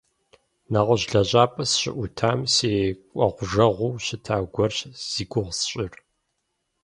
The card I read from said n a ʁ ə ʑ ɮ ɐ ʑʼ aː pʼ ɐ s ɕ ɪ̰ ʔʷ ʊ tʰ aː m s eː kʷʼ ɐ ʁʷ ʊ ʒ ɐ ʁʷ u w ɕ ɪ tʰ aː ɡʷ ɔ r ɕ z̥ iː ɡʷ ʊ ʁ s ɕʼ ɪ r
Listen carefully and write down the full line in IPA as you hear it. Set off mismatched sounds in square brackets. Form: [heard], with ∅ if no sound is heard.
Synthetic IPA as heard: n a ʁ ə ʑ ɮ ɐ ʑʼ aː pʼ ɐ s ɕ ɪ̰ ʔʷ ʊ tʰ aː m s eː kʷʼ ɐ ʁʷ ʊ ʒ ɐ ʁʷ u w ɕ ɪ tʰ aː ɡʷ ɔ r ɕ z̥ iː ɡʷ ʊ ʁ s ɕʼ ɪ r